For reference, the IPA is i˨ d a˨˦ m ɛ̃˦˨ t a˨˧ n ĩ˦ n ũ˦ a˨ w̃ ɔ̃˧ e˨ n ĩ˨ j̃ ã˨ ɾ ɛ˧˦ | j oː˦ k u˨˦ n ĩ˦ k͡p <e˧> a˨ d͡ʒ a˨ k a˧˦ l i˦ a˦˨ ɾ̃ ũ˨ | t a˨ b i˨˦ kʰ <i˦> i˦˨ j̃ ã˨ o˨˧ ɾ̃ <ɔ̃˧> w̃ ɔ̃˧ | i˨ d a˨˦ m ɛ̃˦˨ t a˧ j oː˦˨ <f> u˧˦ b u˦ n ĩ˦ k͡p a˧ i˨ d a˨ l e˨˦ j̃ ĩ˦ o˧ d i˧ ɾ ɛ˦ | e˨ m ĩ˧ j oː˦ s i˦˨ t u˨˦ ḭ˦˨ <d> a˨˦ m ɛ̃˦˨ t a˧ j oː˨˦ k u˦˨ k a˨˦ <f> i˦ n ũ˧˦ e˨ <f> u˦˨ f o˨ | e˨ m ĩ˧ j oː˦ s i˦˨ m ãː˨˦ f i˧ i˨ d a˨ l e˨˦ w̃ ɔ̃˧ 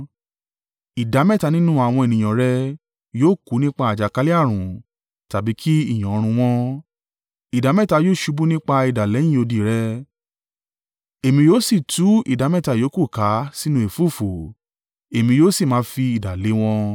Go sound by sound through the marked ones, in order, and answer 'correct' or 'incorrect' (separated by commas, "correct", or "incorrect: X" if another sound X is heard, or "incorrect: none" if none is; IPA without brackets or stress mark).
incorrect: a˧, correct, incorrect: ũ˧, incorrect: ʃ, correct, incorrect: s, correct